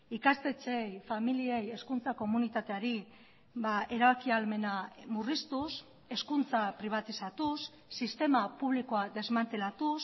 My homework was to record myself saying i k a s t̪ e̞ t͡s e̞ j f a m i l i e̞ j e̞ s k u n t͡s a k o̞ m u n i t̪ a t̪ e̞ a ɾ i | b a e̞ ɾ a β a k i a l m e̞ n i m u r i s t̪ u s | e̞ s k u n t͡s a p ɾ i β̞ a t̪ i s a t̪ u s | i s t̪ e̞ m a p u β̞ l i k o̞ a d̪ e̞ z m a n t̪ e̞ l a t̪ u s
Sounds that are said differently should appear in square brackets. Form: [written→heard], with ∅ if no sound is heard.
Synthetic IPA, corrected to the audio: i k a s t̪ e̞ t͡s e̞ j f a m i l i e̞ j e̞ s k u n t͡s a k o̞ m u n i t̪ a t̪ e̞ a ɾ i | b a e̞ ɾ a β a k i a l m e̞ n [i→a] m u r i s t̪ u s | e̞ s k u n t͡s a p ɾ i β̞ a t̪ i s a t̪ u [s→sː] | i s t̪ e̞ m a p u β̞ l i k o̞ a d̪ e̞ z m a n t̪ e̞ l a t̪ u s

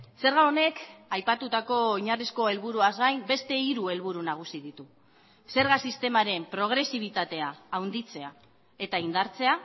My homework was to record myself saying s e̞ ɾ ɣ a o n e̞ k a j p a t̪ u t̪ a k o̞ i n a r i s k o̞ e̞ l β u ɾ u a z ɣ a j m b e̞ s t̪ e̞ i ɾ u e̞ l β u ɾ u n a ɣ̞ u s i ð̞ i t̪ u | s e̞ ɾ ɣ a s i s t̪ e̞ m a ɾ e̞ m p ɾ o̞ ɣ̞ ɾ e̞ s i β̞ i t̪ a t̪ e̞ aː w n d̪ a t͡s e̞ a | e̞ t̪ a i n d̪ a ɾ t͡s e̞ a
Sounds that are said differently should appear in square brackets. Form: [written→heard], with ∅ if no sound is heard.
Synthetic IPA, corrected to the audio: s e̞ ɾ ɣ a o n e̞ k a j p a t̪ u t̪ a k o̞ i [n→ɲ] a r i s k o̞ e̞ l β u ɾ u a z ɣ a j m b e̞ s t̪ e̞ i ɾ u e̞ l β u ɾ u n a ɣ̞ u s i ð̞ i t̪ u | s e̞ ɾ ɣ a s i s t̪ e̞ m a ɾ e̞ m p ɾ o̞ ɣ̞ ɾ e̞ s i β̞ i t̪ a t̪ e̞ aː w n d̪ [a→i] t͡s e̞ a | e̞ t̪ a i n d̪ a ɾ t͡s e̞ a

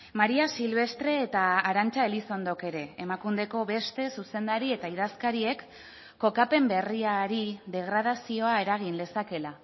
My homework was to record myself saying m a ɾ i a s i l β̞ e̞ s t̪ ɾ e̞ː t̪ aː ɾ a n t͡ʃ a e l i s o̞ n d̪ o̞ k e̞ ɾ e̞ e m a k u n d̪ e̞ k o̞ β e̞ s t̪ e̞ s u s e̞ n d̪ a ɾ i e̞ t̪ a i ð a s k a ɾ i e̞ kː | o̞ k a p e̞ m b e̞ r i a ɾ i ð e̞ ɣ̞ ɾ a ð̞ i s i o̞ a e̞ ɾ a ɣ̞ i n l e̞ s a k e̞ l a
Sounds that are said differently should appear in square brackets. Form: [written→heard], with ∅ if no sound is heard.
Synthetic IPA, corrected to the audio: m a ɾ i a s i l β̞ e̞ s t̪ ɾ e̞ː t̪ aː ɾ a n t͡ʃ a e l i s o̞ n d̪ o̞ k e̞ ɾ e̞ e m a k u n d̪ e̞ k o̞ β e̞ s t̪ e̞ s u s e̞ n d̪ a ɾ i e̞ t̪ a i ð a s k a ɾ i e̞ kː | o̞ k a p e̞ m b e̞ r i a ɾ i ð e̞ ɣ̞ ɾ a ð̞ [i→a] s i o̞ a e̞ ɾ a ɣ̞ i n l e̞ s a k e̞ l a

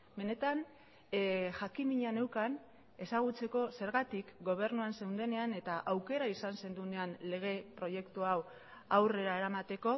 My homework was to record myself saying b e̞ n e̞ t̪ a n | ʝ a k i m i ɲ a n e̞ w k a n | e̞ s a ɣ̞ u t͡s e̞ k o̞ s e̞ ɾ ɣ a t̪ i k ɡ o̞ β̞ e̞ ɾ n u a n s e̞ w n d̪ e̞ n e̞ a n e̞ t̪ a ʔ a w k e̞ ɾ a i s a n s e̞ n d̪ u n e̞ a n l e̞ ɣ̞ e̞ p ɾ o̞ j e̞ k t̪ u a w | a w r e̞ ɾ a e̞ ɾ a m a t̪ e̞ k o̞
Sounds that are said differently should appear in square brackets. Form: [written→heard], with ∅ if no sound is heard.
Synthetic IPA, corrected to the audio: b e̞ n e̞ t̪ a n | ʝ a k i m i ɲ a n e̞ w k a n | e̞ s a ɣ̞ u t͡s e̞ k o̞ s e̞ ɾ ɣ a t̪ i k ɡ o̞ β̞ e̞ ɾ n u a n s e̞ w n d̪ e̞ n e̞ a n e̞ t̪ a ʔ a w k e̞ ɾ a i s a n s e̞ n d̪ u n e̞ a n l e̞ ɣ̞ e̞ p ɾ o̞ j e̞ k t̪ u a w | a w r e̞ ɾ a e̞ ɾ a m a t̪ e̞ k o̞

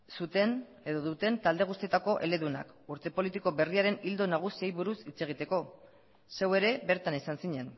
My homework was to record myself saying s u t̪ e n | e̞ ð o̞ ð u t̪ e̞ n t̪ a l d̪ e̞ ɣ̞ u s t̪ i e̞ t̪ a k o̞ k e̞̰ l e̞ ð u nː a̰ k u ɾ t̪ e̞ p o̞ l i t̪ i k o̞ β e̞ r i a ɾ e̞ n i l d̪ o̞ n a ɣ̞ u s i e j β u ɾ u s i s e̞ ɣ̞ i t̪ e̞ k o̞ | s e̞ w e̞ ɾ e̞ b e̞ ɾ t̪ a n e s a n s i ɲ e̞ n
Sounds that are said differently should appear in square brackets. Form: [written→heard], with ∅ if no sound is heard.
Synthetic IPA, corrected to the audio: s u t̪ e n | e̞ ð o̞ ð u t̪ e̞ n t̪ a l d̪ e̞ ɣ̞ u s t̪ i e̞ t̪ a k o̞ [k→ʔ] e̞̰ l e̞ ð u [nː→n] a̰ k u ɾ t̪ e̞ p o̞ l i t̪ i k o̞ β e̞ r i a ɾ e̞ n i l d̪ o̞ n a ɣ̞ u s i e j β u ɾ u s i [s→t͡s] e̞ ɣ̞ i t̪ e̞ k o̞ | s e̞ w e̞ ɾ e̞ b e̞ ɾ t̪ a n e s a n s i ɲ e̞ n

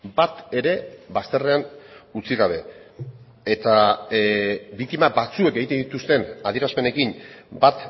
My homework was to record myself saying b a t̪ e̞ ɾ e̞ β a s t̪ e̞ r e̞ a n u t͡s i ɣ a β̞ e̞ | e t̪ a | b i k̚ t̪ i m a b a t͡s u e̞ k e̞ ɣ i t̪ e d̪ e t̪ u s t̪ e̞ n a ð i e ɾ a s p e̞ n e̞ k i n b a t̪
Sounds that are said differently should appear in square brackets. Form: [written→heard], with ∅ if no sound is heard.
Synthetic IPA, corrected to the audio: b a t̪ e̞ ɾ e̞ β a s t̪ e̞ r e̞ a n u t͡s i ɣ a β̞ e̞ | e t̪ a | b i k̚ t̪ i m a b a t͡s u e̞ k e̞ ɣ i t̪ e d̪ [e→i] t̪ u s t̪ e̞ n a ð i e ɾ a s p e̞ n e̞ k i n b a t̪

